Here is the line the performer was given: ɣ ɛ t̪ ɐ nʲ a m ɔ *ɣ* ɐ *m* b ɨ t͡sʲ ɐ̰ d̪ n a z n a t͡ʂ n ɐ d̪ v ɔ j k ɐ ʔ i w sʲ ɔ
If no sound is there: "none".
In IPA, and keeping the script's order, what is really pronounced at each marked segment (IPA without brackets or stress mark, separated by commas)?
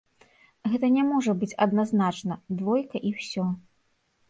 ʐ, none